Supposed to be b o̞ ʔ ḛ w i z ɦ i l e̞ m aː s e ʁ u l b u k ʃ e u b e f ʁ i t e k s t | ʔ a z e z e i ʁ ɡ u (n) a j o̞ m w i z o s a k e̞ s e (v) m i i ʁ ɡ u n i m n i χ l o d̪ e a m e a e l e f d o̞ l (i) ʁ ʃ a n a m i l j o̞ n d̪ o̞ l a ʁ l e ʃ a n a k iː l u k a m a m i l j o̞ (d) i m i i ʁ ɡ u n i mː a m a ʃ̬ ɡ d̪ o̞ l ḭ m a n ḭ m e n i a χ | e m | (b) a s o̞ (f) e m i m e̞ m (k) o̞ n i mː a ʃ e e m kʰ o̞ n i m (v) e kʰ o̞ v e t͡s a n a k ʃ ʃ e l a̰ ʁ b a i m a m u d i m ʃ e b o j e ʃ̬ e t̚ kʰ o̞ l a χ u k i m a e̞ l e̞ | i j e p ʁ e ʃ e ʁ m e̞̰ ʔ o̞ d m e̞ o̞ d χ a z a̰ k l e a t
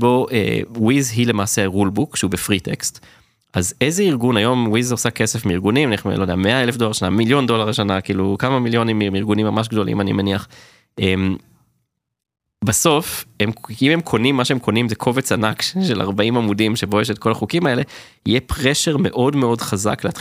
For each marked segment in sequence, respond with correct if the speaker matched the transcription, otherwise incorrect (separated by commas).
correct, incorrect, incorrect, incorrect, correct, correct, incorrect, incorrect